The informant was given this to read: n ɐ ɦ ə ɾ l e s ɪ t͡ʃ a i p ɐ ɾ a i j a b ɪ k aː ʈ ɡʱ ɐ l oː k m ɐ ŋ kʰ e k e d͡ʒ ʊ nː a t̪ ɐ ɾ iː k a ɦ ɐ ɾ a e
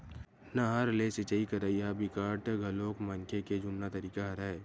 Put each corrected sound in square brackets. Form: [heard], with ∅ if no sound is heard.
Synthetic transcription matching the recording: n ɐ ɦ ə ɾ l e s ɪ t͡ʃ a i [k] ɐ ɾ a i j a b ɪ k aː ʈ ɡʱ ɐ l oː k m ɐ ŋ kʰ e k e d͡ʒ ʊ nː a t̪ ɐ ɾ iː k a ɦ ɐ ɾ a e